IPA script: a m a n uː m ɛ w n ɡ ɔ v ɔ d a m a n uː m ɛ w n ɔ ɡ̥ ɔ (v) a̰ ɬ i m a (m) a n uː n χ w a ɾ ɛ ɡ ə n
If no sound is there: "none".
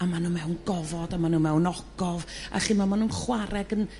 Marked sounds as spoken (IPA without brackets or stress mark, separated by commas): v, m